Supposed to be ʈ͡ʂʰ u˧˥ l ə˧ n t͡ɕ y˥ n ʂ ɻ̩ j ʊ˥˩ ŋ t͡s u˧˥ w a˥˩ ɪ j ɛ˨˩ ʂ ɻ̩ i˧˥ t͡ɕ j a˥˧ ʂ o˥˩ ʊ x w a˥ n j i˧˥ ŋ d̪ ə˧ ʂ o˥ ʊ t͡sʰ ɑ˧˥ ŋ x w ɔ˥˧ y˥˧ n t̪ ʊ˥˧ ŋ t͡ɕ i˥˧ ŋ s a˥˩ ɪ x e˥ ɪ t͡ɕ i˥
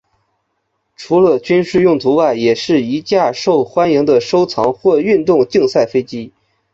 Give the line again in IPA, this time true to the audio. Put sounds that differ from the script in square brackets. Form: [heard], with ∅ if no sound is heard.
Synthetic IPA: ʈ͡ʂʰ u˧˥ l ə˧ [∅] t͡ɕ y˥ n ʂ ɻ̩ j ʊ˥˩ ŋ t͡s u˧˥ w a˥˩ ɪ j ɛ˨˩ ʂ ɻ̩ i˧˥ t͡ɕ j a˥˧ ʂ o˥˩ ʊ x w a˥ n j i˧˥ ŋ d̪ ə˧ ʂ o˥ ʊ t͡sʰ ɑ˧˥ ŋ x w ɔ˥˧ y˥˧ n t̪ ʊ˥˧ ŋ t͡ɕ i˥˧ ŋ s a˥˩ ɪ [f] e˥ ɪ t͡ɕ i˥